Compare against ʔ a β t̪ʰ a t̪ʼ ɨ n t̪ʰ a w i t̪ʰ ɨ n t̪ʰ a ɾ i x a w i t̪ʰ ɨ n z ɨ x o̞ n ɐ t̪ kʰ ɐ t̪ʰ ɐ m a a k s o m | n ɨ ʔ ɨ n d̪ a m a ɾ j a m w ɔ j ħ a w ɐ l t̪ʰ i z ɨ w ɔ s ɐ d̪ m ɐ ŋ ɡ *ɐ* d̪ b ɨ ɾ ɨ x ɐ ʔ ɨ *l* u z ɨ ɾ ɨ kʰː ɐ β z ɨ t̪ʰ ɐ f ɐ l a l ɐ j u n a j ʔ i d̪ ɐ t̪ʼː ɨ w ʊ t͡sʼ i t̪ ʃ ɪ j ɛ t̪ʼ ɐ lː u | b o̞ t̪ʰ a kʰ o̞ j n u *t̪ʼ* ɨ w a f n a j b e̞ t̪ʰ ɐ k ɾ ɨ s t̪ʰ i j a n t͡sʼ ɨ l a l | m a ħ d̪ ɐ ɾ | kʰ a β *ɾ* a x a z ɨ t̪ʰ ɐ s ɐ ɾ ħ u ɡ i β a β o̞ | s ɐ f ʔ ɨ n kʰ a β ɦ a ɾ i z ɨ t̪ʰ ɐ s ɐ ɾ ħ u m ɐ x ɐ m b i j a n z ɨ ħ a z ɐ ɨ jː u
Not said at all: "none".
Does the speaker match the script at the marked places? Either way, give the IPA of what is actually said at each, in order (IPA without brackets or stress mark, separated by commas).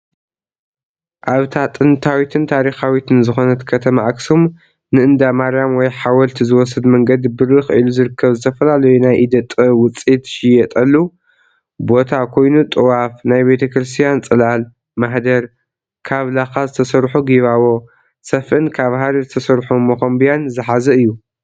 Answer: ɐ, l, t̪ʼ, l